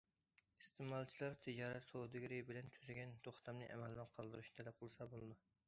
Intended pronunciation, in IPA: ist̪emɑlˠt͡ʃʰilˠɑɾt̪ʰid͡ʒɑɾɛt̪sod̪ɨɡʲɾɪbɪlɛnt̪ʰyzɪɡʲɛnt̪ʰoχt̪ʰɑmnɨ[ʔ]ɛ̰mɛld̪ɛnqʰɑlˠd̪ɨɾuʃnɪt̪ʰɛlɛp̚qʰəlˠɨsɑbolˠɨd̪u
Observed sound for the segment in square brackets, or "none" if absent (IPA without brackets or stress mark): ʔ